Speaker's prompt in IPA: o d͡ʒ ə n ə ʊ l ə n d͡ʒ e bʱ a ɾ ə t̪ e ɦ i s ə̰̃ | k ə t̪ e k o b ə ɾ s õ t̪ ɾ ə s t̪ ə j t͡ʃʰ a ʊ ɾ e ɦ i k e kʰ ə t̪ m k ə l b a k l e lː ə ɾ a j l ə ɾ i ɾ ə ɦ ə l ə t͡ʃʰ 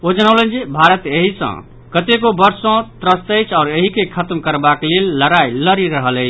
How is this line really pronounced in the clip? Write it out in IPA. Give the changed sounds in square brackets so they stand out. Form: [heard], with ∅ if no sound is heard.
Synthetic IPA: o d͡ʒ ə n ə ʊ l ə n d͡ʒ e bʱ a ɾ ə t̪ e ɦ i s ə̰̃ | k ə t̪ e k o b ə ɾ s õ t̪ ɾ ə s t̪ ə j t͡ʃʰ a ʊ ɾ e ɦ i k e kʰ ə t̪ m k ə [ɾ] b a k l e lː ə ɾ a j l ə ɾ i ɾ ə ɦ ə l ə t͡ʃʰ

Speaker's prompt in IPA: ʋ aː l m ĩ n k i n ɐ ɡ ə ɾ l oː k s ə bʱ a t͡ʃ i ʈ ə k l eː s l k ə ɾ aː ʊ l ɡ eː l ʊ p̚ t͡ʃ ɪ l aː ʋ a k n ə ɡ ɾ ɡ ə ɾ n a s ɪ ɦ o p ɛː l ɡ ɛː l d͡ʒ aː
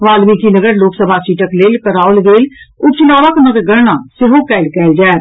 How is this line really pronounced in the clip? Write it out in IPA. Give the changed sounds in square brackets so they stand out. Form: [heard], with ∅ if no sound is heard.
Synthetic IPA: ʋ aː l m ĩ [∅] k i n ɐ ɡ ə ɾ l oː k s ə bʱ a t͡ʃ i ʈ ə k l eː [∅] l k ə ɾ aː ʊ l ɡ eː l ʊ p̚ t͡ʃ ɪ l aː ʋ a k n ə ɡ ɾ ɡ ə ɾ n a s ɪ ɦ o [k] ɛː l [k] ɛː l d͡ʒ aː

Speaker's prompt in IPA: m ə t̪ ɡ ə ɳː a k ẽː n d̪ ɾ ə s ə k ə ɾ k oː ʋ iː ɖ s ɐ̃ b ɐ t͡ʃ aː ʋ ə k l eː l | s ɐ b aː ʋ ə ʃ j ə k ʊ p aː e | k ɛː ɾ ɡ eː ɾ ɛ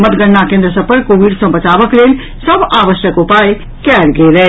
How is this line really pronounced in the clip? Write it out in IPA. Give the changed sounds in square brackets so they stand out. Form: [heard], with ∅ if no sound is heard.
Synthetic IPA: m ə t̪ ɡ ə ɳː a k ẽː n d̪ ɾ ə s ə [p] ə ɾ k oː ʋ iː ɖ s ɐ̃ b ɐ t͡ʃ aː ʋ ə k l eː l | s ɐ b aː ʋ ə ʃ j ə k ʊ p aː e | k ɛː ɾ ɡ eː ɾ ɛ

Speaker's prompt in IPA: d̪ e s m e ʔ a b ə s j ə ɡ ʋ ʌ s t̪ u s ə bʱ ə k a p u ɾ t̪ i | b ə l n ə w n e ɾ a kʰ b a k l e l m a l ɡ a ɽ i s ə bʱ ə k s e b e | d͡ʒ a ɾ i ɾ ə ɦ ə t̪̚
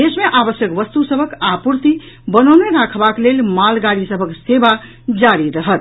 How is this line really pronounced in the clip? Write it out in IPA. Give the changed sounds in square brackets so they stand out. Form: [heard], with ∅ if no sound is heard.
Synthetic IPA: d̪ e s m e ʔ a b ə s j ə [k] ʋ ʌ s t̪ u s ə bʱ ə k a p u ɾ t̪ i | b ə [∅] n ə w n e ɾ a kʰ b a k l e l m a l ɡ a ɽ i s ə bʱ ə k s e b [a] | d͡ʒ a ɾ i ɾ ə ɦ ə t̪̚

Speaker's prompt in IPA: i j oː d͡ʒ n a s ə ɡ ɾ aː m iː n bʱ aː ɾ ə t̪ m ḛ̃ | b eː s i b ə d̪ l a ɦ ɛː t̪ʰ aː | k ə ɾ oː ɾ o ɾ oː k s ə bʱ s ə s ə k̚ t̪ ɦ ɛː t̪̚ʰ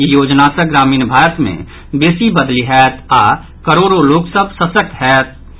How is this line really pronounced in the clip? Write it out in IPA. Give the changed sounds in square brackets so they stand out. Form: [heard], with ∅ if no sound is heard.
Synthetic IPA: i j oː d͡ʒ n a s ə ɡ ɾ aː m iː n bʱ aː ɾ ə t̪ m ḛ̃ | b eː s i b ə d̪ l [i] ɦ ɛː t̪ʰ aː | k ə ɾ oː ɾ o [l] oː k s ə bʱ s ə s ə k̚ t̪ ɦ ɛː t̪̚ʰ

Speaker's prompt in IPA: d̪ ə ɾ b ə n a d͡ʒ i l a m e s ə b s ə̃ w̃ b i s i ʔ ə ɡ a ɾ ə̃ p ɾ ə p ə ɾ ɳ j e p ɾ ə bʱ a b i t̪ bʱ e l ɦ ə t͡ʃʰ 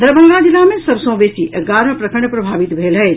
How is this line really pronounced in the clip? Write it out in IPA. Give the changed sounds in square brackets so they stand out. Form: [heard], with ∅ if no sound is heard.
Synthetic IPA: d̪ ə ɾ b ə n a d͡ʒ i l a m e s ə b s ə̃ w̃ b [e] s i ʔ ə ɡ a ɾ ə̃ p ɾ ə [k] ə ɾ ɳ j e p ɾ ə bʱ a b i t̪ bʱ e l ɦ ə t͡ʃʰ

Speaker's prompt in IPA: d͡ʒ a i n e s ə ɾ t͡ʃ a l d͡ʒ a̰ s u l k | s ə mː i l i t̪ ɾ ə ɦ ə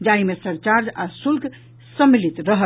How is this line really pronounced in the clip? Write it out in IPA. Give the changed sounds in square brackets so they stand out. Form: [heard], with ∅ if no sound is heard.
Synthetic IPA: d͡ʒ a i [m] e s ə ɾ t͡ʃ a [ɾ] d͡ʒ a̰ s u l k | s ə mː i l i t̪ ɾ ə ɦ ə

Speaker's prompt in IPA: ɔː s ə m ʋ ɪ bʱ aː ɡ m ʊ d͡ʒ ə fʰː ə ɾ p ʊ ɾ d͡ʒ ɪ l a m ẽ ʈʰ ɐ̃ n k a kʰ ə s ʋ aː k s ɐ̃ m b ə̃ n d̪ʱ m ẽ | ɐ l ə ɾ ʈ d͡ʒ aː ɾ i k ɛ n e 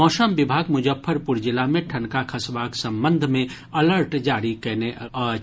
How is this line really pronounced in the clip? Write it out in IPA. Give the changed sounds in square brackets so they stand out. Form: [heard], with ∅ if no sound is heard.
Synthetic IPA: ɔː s ə m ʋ ɪ bʱ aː ɡ m ʊ d͡ʒ ə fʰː ə ɾ p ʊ ɾ d͡ʒ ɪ l a m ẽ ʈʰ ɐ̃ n k a kʰ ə s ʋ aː k s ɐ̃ m b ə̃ n d̪ʱ m ẽ | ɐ l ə ɾ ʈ d͡ʒ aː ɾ i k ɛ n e

